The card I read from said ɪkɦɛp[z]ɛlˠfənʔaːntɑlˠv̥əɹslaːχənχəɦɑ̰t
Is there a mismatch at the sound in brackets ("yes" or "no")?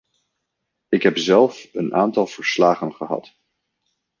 no